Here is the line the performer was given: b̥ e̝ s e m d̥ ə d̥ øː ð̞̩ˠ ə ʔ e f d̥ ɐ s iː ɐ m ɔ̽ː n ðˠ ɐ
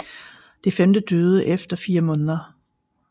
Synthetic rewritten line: d̥ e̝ f e m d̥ ə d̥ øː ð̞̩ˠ ə ʔ e f d̥ ɐ f iː ɐ m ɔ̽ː n ðˠ ɐ